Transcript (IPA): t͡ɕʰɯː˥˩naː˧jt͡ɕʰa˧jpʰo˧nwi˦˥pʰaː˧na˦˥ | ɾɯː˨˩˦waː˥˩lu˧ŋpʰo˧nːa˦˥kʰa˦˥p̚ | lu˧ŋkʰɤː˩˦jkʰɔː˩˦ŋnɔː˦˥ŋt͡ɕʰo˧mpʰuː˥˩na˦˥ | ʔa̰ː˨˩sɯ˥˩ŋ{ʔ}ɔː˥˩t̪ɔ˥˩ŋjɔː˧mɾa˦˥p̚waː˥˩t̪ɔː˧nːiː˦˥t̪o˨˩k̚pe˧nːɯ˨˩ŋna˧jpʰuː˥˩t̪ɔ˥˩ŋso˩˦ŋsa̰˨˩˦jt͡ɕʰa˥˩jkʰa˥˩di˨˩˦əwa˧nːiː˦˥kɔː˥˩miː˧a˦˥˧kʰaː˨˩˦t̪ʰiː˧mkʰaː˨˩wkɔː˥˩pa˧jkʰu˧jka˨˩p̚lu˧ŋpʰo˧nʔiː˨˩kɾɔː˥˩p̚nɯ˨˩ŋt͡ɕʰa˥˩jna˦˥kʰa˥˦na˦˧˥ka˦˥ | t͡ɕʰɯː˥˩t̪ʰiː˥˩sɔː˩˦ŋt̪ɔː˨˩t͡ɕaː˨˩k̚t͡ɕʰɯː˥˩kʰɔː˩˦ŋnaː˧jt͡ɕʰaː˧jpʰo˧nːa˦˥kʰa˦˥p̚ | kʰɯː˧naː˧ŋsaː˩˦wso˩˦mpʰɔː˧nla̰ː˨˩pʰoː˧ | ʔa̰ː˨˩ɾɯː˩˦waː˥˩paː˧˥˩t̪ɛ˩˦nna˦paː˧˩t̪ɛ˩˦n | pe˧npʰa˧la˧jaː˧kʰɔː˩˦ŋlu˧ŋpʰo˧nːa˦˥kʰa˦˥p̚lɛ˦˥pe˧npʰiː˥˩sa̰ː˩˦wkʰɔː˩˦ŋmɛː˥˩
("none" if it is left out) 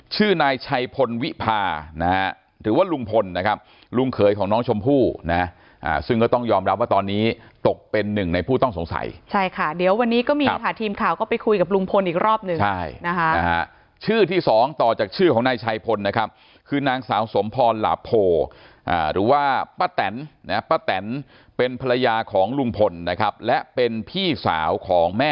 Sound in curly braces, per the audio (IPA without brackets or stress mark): k